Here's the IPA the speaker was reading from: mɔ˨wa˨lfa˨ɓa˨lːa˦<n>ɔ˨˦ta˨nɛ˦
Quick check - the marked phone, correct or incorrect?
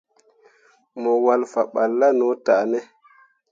correct